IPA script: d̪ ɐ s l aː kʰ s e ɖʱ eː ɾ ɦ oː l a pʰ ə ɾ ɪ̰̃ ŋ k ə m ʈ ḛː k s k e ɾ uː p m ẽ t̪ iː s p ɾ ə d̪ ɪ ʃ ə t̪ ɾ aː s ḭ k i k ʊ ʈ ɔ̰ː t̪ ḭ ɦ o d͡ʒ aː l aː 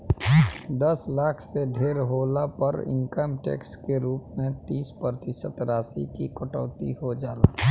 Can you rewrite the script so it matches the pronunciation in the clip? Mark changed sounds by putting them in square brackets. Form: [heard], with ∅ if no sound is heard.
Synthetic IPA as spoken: d̪ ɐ s l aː kʰ s e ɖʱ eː ɾ ɦ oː l a [p] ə ɾ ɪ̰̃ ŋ k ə m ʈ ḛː k s k e ɾ uː p m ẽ t̪ iː s p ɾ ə [t̪] ɪ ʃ ə t̪ ɾ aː s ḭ k i k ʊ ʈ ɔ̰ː t̪ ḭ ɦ o d͡ʒ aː l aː